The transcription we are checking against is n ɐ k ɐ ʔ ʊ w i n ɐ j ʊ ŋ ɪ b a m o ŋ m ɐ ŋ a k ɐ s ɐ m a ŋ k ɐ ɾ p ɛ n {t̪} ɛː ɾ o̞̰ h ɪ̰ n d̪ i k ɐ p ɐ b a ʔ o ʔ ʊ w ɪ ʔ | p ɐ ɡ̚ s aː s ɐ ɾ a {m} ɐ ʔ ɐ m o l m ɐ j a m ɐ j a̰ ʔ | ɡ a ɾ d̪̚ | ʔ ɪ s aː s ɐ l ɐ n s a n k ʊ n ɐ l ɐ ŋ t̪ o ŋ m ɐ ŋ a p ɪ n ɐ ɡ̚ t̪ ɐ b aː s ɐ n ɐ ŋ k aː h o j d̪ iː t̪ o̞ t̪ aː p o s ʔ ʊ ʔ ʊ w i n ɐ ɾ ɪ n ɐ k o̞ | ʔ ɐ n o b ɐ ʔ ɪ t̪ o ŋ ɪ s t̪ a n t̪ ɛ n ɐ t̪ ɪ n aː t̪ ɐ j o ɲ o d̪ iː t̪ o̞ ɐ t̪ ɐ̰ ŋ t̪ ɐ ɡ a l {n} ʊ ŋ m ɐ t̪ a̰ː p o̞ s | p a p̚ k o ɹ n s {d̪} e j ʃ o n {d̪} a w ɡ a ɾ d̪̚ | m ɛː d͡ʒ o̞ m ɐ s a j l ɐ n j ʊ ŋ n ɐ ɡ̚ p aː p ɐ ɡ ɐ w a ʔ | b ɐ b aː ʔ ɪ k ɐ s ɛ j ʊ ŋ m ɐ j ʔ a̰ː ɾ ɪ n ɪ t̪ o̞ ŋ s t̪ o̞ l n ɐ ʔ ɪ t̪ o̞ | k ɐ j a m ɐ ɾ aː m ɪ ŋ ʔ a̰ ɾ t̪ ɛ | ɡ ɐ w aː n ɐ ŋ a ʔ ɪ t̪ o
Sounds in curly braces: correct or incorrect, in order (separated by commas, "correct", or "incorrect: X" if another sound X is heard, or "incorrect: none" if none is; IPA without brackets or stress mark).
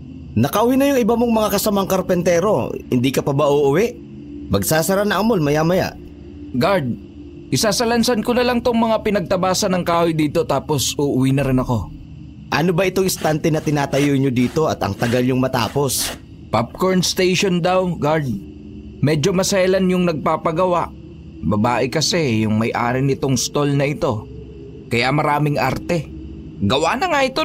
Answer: correct, incorrect: n, incorrect: ɲ, incorrect: t̪, correct